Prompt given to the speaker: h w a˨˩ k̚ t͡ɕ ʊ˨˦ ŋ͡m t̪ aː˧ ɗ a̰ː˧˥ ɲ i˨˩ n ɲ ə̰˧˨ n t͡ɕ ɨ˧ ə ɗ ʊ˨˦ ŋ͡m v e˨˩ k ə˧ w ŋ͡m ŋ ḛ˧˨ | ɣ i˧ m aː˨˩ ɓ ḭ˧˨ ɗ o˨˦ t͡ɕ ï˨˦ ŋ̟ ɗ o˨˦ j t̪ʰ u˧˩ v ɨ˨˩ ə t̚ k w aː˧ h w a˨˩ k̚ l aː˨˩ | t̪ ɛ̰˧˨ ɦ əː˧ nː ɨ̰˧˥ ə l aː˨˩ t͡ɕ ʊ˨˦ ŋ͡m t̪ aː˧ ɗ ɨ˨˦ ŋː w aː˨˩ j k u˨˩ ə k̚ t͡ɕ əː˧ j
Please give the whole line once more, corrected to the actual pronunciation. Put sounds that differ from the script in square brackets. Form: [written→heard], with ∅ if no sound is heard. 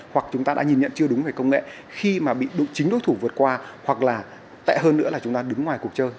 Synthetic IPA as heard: h w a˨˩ k̚ t͡ɕ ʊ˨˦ ŋ͡m t̪ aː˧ ɗ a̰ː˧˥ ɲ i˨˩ n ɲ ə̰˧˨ n t͡ɕ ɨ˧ ə ɗ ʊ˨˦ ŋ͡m v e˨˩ k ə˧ w ŋ͡m ŋ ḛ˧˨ | [ɣ→x] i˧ m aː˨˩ ɓ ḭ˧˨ ɗ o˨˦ t͡ɕ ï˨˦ ŋ̟ ɗ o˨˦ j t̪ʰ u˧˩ v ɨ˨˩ ə t̚ k w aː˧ h w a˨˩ k̚ l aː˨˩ | t̪ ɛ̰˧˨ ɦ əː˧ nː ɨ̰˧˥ ə l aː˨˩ t͡ɕ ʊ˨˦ ŋ͡m t̪ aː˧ ɗ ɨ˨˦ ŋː w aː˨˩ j k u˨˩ ə k̚ t͡ɕ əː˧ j